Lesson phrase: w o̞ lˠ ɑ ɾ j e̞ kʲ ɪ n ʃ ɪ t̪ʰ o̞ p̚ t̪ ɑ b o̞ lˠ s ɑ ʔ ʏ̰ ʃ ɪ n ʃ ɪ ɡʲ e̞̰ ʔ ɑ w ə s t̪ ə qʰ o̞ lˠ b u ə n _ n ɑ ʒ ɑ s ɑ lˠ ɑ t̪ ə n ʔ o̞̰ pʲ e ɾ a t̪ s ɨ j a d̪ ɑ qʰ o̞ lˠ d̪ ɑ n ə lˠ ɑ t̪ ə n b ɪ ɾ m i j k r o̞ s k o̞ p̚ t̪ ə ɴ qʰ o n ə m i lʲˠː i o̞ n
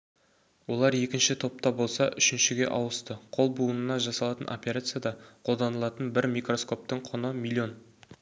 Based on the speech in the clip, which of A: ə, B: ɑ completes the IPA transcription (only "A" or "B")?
A